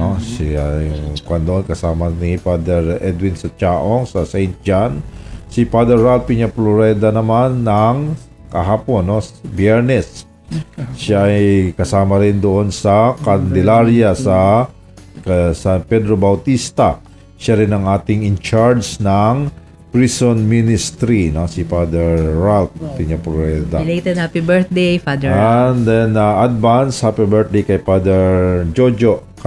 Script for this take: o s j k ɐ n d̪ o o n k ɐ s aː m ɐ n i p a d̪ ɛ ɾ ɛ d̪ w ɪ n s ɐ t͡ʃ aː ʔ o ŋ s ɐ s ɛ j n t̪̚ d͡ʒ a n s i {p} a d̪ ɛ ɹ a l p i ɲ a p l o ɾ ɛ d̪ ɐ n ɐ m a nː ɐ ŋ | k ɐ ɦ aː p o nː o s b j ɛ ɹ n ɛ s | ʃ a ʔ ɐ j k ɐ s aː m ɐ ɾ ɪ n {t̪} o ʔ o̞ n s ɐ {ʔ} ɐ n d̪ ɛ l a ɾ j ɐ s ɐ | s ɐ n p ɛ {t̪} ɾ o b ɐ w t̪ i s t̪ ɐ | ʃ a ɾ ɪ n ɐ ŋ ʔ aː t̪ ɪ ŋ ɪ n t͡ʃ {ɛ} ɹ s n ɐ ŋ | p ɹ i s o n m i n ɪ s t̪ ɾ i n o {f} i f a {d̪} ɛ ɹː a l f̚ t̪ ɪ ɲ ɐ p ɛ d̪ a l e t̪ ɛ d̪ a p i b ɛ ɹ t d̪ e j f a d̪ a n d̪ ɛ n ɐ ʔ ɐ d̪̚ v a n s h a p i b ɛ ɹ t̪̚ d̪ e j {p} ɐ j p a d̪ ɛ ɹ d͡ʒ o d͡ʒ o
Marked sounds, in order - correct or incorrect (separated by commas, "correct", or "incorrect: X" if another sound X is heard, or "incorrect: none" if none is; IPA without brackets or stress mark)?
correct, incorrect: d̪, incorrect: k, incorrect: d̪, incorrect: a, incorrect: s, correct, incorrect: k